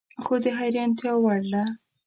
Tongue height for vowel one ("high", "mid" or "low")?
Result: mid